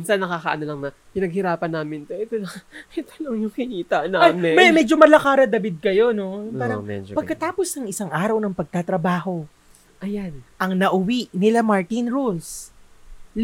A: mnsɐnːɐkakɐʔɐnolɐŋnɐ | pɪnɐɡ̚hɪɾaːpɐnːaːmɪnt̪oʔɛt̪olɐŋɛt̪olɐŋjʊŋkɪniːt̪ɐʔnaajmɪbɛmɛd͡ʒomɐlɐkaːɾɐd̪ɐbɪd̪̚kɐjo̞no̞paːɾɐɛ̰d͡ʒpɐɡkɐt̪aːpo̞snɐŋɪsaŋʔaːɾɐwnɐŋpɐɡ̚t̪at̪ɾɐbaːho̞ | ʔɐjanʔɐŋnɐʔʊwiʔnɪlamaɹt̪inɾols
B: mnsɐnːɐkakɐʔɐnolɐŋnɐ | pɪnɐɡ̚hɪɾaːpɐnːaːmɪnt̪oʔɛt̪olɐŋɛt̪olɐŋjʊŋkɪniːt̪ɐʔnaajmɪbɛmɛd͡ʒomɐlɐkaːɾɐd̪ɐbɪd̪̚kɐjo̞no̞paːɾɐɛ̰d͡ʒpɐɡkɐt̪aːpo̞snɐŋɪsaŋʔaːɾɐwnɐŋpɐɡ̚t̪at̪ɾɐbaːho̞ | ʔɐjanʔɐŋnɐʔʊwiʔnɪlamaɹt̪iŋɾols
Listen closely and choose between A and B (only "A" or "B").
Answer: A